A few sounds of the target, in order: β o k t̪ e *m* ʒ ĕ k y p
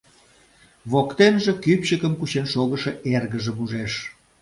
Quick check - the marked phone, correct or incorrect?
incorrect: n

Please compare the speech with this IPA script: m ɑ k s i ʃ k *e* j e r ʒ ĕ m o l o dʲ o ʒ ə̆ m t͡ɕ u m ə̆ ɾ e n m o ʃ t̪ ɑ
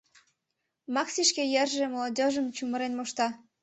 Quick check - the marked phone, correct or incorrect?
correct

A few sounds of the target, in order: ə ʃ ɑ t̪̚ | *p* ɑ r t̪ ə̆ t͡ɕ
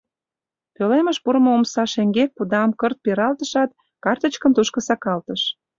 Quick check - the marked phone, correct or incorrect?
incorrect: k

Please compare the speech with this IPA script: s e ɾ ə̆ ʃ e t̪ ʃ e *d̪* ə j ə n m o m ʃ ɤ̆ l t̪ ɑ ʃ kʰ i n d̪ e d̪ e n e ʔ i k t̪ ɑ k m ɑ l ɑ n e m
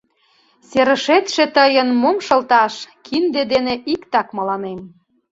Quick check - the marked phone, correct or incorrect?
incorrect: t̪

